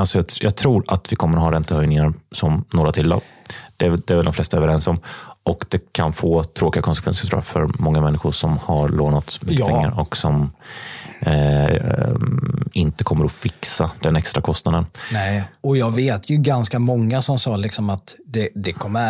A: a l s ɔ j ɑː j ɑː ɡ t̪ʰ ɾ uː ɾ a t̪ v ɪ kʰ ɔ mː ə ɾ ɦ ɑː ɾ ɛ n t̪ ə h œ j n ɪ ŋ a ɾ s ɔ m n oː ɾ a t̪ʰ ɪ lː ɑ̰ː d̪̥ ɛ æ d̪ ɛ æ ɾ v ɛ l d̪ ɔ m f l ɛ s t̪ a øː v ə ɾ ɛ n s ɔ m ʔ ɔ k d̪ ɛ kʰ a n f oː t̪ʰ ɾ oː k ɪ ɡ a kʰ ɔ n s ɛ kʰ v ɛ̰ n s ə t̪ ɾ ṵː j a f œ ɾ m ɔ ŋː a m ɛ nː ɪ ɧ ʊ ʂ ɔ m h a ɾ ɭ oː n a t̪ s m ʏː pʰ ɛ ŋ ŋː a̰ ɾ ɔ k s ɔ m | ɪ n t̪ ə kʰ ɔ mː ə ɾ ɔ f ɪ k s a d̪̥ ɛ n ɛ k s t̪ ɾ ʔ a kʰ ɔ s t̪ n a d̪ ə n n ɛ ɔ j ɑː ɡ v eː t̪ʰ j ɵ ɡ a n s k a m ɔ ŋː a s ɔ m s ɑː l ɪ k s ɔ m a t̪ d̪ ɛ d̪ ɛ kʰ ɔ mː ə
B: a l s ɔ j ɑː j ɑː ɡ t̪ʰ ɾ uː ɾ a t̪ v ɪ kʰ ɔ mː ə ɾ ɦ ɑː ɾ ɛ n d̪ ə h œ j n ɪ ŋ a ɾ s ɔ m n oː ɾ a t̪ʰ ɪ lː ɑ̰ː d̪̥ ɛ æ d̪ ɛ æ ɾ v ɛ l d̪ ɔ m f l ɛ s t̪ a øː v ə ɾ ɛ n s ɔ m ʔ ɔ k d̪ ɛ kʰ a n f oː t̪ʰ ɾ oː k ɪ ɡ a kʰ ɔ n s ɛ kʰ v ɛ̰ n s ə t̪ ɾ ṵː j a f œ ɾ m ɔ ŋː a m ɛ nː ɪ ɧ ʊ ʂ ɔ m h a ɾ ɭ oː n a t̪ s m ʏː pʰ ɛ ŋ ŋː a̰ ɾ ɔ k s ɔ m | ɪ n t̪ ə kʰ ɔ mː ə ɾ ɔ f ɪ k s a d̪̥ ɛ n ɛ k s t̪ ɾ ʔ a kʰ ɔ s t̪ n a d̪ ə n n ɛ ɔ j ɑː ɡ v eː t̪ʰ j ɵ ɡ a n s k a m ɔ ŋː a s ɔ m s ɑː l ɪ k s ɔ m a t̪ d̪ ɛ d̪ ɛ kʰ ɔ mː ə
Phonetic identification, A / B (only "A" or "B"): A